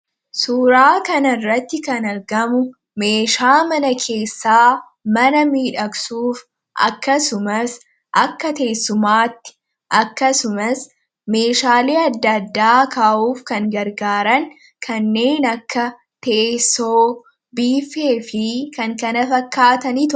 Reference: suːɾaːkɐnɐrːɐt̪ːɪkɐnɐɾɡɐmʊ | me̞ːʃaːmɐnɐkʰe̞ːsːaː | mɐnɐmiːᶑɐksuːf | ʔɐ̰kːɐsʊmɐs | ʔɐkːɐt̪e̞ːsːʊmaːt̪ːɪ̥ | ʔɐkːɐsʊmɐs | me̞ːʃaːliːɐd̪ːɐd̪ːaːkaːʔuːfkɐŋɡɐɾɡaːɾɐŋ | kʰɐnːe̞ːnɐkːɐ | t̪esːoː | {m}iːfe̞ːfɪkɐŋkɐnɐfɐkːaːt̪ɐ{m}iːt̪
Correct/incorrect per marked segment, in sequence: incorrect: b, incorrect: n

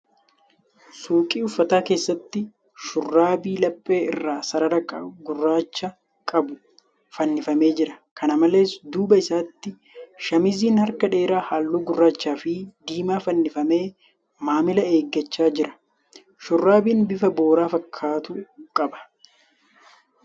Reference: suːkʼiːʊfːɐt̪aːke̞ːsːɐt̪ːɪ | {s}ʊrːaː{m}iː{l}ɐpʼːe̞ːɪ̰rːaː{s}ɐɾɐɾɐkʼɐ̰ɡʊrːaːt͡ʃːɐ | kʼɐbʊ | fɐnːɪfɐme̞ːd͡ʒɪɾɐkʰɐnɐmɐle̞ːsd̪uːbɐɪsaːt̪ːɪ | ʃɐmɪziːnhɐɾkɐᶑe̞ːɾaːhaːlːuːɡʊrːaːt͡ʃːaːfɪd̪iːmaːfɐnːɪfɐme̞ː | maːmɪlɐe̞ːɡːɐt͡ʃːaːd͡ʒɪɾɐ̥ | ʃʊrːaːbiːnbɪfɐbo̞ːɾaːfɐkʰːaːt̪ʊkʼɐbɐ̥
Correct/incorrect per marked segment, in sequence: incorrect: ʃ, incorrect: b, correct, correct

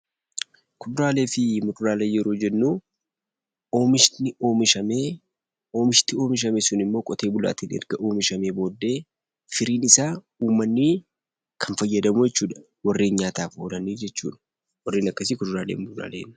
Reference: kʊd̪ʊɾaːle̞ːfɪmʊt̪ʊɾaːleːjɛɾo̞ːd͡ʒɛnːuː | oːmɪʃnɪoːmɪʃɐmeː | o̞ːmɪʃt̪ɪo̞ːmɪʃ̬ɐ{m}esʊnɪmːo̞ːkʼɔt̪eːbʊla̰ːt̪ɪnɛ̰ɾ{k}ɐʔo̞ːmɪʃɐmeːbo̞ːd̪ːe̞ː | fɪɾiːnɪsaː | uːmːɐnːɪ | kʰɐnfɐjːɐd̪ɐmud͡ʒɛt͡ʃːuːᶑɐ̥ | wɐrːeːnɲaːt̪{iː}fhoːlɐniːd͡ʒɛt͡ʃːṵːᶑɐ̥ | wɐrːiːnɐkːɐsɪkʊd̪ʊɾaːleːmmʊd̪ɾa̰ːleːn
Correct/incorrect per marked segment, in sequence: correct, incorrect: ɡ, incorrect: aː

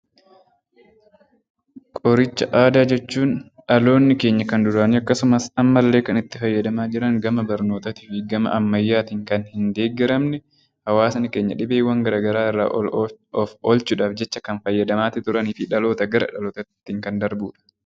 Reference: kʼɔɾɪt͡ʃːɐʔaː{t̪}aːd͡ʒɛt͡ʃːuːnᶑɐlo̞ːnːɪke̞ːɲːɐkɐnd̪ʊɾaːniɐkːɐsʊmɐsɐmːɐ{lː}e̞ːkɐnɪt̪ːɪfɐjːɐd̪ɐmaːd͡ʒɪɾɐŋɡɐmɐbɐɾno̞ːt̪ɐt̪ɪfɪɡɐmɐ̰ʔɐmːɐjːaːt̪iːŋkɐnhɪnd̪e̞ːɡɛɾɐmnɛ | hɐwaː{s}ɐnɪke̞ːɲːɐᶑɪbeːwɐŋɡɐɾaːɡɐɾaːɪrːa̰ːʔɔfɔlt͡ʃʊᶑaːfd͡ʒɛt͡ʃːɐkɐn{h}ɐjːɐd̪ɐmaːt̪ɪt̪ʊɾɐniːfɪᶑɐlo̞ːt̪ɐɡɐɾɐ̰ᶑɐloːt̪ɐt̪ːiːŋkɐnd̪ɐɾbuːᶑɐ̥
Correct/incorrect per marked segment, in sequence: incorrect: d̪, correct, correct, incorrect: f

